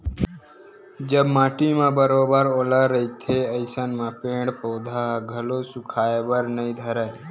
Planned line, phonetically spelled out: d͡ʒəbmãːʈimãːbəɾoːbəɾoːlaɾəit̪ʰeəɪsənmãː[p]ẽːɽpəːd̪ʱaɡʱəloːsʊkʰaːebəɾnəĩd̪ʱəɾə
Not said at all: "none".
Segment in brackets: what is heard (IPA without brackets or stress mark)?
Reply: p